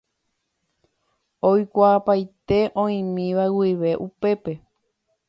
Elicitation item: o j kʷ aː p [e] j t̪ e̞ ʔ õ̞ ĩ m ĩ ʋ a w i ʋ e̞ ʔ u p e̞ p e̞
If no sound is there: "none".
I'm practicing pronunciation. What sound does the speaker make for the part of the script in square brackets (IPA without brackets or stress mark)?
a